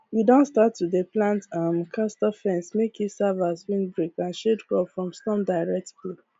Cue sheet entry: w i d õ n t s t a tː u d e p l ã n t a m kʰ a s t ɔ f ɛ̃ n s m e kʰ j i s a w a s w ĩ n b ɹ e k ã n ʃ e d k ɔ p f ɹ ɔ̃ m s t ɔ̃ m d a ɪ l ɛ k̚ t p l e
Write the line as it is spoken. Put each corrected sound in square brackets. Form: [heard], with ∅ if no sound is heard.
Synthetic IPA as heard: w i d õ n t s t a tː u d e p l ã n t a m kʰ a s t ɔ f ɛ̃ n s m e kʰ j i s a [v] a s w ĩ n b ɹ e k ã n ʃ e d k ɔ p f ɹ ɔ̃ m s t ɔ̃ m d a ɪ [ɹ] ɛ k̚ t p l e